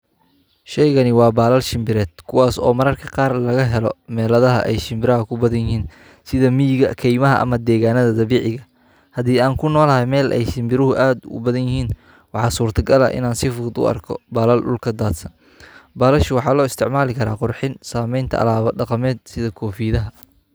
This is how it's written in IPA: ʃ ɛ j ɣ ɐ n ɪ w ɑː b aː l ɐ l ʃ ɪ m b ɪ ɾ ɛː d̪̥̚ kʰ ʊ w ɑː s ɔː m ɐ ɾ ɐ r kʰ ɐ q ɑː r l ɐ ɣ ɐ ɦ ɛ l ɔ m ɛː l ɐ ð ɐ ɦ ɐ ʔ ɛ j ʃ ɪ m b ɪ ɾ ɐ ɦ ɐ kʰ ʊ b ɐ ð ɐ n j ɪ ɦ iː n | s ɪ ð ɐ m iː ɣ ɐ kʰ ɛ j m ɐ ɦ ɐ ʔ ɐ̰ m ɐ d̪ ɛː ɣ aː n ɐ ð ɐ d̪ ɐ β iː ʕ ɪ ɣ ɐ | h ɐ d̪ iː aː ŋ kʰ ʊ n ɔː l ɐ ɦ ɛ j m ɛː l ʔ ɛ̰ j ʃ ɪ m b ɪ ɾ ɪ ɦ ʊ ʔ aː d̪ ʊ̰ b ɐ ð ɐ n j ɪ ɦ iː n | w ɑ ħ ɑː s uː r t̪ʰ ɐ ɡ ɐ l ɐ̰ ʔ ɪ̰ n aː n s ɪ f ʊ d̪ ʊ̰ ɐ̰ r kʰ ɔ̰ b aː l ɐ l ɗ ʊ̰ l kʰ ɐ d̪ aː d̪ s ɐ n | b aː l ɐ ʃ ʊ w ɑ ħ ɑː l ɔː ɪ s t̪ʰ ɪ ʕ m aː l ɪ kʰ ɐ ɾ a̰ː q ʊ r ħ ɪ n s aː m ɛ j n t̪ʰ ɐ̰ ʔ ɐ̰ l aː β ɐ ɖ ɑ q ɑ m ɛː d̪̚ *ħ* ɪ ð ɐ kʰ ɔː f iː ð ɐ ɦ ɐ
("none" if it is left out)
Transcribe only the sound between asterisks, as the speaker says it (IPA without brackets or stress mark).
s